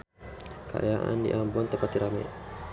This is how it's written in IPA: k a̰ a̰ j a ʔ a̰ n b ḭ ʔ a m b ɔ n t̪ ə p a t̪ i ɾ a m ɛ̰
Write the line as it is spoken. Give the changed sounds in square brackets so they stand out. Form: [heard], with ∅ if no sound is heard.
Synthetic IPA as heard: k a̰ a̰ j a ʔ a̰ n [d] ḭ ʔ a m b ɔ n t̪ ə p a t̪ i ɾ a m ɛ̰